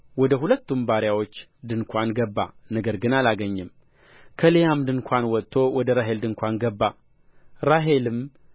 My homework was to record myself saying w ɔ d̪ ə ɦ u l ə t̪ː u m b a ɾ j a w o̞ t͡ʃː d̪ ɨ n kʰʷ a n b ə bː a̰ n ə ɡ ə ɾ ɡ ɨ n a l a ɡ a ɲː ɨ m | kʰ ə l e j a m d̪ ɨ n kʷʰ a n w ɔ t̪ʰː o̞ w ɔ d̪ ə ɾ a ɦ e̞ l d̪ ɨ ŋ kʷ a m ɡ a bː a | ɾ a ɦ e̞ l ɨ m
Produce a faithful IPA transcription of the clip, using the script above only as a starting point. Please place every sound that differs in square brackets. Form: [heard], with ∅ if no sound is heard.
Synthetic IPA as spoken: w ɔ d̪ ə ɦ u l ə t̪ː u m b a ɾ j a w o̞ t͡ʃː d̪ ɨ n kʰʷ a n [ɡ] ə bː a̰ n ə ɡ ə ɾ ɡ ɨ n a l a ɡ [ə] ɲː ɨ m | kʰ ə l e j a m d̪ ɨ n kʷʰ a n w ɔ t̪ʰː o̞ w ɔ d̪ ə ɾ a ɦ e̞ l d̪ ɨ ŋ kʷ a [n] ɡ [ə] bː a | ɾ a ɦ e̞ l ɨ m